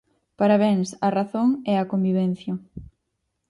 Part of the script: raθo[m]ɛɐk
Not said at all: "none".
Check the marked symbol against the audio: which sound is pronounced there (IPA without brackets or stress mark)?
ŋ